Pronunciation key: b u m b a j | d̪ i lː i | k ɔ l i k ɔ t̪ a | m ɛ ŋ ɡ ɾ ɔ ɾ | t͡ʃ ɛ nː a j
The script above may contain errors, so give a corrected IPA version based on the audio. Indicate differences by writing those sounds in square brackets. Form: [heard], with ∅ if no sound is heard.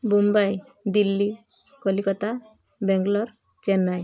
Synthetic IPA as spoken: b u m b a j | d̪ i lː i | k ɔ l i k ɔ t̪ a | [b] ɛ ŋ ɡ [l] ɔ ɾ | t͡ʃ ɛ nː a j